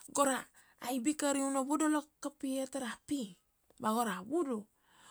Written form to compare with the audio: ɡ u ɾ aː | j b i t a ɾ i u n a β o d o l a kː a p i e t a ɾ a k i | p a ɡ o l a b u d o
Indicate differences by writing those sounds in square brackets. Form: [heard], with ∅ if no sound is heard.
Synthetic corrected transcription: ɡ [o] ɾ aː | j b i [k] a ɾ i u n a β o d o l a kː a p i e t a ɾ a [p] i | [b] a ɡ o [ɾ] a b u d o